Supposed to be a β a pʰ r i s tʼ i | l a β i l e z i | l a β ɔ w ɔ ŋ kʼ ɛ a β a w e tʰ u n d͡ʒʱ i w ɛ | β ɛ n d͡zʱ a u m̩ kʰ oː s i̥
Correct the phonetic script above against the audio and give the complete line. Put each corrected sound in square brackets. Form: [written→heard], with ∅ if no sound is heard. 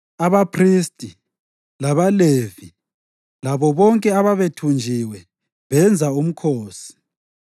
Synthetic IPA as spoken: a β a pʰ r i s tʼ i | l a β [i→a] l e [z→v] i | l a β ɔ [w→β] ɔ ŋ kʼ ɛ a β a [w→β] e tʰ u n d͡ʒʱ i w ɛ | β ɛ n d͡zʱ a u m̩ kʰ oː s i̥